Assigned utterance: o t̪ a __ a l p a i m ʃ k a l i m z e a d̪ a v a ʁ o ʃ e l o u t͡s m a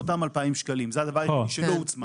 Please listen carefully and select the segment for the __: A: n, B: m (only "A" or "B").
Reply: B